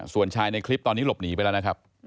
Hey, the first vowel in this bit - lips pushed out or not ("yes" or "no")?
yes